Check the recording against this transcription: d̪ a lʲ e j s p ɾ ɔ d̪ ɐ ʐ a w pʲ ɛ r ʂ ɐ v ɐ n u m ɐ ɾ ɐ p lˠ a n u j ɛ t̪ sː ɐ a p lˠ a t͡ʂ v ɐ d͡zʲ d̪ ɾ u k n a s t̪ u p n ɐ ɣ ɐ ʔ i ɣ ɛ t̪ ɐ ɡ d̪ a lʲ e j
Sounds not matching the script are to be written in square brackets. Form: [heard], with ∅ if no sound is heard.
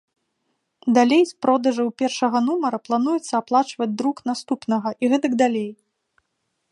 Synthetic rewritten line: d̪ a lʲ e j s p ɾ ɔ d̪ ɐ ʐ [ɐ] w pʲ ɛ r ʂ ɐ [ɣ] ɐ n u m ɐ ɾ ɐ p lˠ a n u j ɛ t̪ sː ɐ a p lˠ a t͡ʂ v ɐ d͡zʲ d̪ ɾ u k n a s t̪ u p n ɐ ɣ ɐ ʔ i ɣ ɛ t̪ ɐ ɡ d̪ a lʲ e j